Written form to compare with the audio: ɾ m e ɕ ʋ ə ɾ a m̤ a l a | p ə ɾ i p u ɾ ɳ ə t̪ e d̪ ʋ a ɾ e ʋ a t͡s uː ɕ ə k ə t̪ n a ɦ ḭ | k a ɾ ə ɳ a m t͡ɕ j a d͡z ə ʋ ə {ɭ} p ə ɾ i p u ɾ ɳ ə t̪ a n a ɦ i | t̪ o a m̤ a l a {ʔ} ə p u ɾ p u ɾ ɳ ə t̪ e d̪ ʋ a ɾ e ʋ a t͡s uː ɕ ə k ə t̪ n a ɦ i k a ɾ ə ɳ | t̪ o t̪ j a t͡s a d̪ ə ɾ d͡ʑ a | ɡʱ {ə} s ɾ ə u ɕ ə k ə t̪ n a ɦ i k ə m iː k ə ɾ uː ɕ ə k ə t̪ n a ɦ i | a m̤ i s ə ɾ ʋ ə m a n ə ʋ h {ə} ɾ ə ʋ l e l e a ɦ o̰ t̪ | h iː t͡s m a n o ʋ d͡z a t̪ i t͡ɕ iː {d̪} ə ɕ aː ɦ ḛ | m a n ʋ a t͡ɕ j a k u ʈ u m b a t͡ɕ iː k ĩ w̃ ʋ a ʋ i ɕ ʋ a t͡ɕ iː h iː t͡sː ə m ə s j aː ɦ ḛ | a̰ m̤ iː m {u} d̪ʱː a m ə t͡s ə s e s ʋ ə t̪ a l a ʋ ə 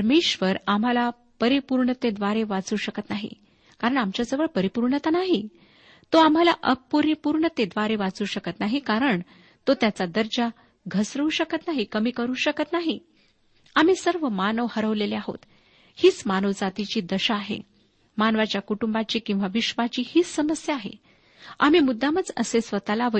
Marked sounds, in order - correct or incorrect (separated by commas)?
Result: correct, correct, correct, correct, correct, correct